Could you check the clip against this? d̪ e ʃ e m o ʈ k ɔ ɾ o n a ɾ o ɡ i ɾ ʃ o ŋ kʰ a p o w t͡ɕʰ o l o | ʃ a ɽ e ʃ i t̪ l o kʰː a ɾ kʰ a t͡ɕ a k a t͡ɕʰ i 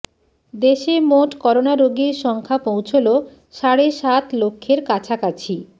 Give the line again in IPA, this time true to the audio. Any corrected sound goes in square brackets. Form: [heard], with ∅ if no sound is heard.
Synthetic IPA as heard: d̪ e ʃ e m o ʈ k ɔ ɾ o n a ɾ o ɡ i ɾ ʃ [ɔ] ŋ kʰ a p o w t͡ɕʰ o l o | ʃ a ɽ e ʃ [a] t̪ l o kʰː [e] ɾ [k] a [t͡ɕʰ] a k a t͡ɕʰ i